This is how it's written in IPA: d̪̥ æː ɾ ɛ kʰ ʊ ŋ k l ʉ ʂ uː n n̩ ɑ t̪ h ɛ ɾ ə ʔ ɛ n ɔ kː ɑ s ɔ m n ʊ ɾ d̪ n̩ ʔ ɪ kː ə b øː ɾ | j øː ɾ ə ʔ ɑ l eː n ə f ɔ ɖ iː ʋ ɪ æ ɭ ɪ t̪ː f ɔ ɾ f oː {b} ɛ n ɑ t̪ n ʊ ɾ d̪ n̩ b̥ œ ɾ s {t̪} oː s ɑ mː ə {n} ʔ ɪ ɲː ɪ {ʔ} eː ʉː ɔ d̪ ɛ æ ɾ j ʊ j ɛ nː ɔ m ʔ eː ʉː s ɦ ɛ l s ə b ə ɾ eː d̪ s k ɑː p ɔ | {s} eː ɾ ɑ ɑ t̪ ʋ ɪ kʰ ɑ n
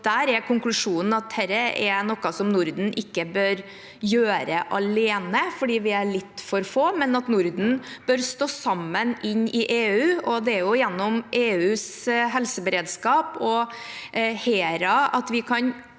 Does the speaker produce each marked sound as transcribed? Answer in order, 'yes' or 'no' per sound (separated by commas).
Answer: no, yes, yes, yes, no